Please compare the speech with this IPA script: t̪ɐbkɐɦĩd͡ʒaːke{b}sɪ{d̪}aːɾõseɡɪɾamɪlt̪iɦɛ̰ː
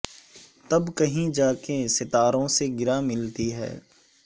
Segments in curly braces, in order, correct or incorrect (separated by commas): incorrect, incorrect